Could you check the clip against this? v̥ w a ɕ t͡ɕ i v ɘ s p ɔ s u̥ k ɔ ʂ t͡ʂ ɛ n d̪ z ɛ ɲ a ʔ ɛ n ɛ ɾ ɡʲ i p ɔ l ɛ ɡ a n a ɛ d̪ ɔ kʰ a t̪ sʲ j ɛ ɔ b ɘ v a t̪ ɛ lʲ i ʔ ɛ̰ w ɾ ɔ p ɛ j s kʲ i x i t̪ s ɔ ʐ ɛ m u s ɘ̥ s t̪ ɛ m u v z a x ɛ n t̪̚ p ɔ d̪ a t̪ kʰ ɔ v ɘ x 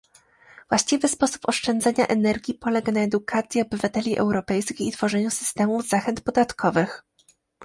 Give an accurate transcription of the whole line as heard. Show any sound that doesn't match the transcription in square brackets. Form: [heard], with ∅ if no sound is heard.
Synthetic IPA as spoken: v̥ w a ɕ t͡ɕ i v ɘ s p ɔ s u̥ [p] ɔ ʂ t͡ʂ ɛ n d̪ z ɛ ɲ a ʔ ɛ n ɛ ɾ ɡʲ i p ɔ l ɛ ɡ a n a ɛ d̪ [u] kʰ a t̪ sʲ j ɛ ɔ b ɘ v a t̪ ɛ lʲ i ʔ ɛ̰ w ɾ ɔ p ɛ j s kʲ i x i t̪ [f] ɔ ʐ ɛ [ɲ] u s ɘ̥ s t̪ ɛ m u v z a x ɛ n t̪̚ p ɔ d̪ a t̪ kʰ ɔ v ɘ x

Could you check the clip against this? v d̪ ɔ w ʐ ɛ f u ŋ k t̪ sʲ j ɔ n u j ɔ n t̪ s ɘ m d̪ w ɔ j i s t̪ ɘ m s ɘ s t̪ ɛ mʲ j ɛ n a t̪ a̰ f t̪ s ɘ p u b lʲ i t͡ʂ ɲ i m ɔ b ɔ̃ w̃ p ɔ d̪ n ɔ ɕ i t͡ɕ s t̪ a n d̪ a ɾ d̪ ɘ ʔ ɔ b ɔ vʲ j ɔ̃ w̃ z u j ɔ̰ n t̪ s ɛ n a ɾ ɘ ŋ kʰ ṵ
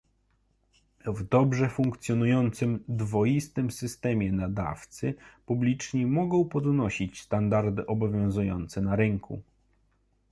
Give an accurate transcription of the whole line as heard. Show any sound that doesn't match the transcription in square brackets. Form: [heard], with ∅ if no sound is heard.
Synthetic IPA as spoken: v d̪ ɔ [b] ʐ ɛ f u ŋ k t̪ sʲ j ɔ n u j ɔ n t̪ s ɘ m d̪ [v] ɔ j i s t̪ ɘ m s ɘ s t̪ ɛ mʲ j ɛ n a [d̪] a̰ f t̪ s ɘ p u b lʲ i t͡ʂ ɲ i m ɔ [ɡ] ɔ̃ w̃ p ɔ d̪ n ɔ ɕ i t͡ɕ s t̪ a n d̪ a ɾ d̪ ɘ ʔ ɔ b ɔ vʲ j ɔ̃ w̃ z u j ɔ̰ n t̪ s ɛ n a ɾ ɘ ŋ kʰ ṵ

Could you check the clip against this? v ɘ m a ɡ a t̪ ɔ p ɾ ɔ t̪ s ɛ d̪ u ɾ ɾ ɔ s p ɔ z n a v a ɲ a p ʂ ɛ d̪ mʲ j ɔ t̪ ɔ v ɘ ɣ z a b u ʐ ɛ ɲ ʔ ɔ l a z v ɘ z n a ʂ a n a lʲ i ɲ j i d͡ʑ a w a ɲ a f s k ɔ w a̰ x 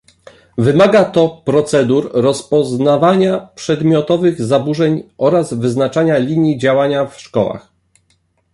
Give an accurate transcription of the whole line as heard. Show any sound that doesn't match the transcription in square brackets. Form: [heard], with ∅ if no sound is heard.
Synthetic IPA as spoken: v ɘ m a ɡ a t̪ ɔ p ɾ ɔ t̪ s ɛ d̪ u ɾ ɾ ɔ s p ɔ z n a v a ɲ a p ʂ ɛ d̪ mʲ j ɔ t̪ ɔ v ɘ ɣ z a b u ʐ ɛ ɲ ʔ ɔ [ɾ] a z v ɘ z n a [t͡ʂ] a [ɲ] a lʲ i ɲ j i d͡ʑ a w a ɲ a f [ʂ] k ɔ w a̰ x

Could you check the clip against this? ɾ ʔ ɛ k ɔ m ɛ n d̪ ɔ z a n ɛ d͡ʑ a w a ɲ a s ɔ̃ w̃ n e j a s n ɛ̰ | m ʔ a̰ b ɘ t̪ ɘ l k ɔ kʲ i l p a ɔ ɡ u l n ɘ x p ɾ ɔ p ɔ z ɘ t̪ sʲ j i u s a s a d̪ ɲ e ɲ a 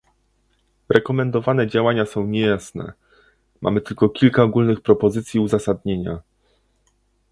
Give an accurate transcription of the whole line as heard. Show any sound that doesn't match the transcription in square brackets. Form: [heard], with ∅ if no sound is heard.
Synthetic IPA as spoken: ɾ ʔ ɛ k ɔ m ɛ n d̪ ɔ [v] a n ɛ d͡ʑ a w a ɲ a s ɔ̃ w̃ [ɲ] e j a s n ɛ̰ | m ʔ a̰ [m] ɘ t̪ ɘ l k ɔ kʲ i l [k] a ɔ ɡ u l n ɘ x p ɾ ɔ p ɔ z ɘ t̪ sʲ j i u [z] a s a d̪ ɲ e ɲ a

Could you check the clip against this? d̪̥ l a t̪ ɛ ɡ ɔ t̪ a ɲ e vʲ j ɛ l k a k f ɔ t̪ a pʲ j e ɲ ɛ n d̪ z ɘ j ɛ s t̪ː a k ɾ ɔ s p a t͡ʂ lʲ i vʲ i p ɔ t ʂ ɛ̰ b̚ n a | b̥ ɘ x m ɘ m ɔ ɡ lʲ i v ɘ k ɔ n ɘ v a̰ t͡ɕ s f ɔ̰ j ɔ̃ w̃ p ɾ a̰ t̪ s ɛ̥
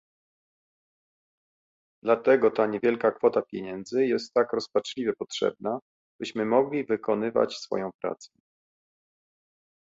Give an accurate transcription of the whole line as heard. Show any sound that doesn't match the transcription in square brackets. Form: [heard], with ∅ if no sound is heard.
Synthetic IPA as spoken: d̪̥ l a t̪ ɛ ɡ ɔ t̪ a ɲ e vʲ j ɛ l k a k f ɔ t̪ a pʲ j e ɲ ɛ n d̪ z ɘ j ɛ s t̪ː a k ɾ ɔ s p a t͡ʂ lʲ i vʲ [ɛ] p ɔ t ʂ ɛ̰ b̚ n a | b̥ ɘ [ɕ] m ɘ m ɔ ɡ lʲ i v ɘ k ɔ n ɘ v a̰ t͡ɕ s f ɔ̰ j ɔ̃ w̃ p ɾ a̰ t̪ s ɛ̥

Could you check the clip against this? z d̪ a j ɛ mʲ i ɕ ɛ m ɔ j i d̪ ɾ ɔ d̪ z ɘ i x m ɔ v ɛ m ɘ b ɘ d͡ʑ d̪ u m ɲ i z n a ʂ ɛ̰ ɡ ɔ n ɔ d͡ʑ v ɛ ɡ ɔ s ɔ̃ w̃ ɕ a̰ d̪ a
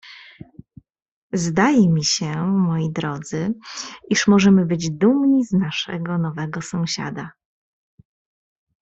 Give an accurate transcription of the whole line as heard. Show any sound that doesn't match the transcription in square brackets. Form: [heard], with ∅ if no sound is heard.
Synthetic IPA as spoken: z d̪ a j ɛ mʲ i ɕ ɛ m ɔ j i d̪ ɾ ɔ d̪ z ɘ i [ʂ] m ɔ [ʐ] ɛ m ɘ b ɘ d͡ʑ d̪ u m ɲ i z n a ʂ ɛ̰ ɡ ɔ n ɔ [∅] v ɛ ɡ ɔ s ɔ̃ w̃ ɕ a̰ d̪ a

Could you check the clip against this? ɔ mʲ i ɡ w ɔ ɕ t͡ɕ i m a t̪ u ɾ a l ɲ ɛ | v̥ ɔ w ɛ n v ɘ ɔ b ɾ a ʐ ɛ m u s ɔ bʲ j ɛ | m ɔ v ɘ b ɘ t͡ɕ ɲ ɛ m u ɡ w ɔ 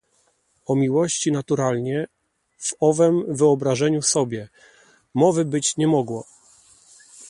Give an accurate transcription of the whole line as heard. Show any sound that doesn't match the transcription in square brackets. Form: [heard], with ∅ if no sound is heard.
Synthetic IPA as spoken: ɔ mʲ i [∅] w ɔ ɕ t͡ɕ i [n] a t̪ u ɾ a l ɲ ɛ | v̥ ɔ [v] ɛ [m] v ɘ ɔ b ɾ a ʐ ɛ [ɲ] u s ɔ bʲ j ɛ | m ɔ v ɘ b ɘ t͡ɕ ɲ ɛ m [ɔ] ɡ w ɔ

